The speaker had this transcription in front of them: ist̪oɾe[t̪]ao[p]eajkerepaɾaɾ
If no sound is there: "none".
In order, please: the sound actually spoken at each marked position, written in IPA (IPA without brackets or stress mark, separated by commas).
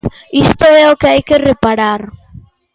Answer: none, k